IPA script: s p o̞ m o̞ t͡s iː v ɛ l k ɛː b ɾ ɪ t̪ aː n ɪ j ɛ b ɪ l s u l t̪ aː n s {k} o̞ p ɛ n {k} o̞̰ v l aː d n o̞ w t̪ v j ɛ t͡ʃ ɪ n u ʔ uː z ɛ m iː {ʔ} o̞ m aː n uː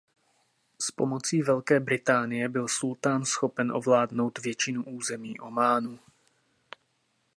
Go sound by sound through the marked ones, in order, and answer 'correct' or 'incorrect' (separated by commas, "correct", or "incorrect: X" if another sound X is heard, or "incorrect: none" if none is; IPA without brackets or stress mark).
incorrect: x, incorrect: ʔ, correct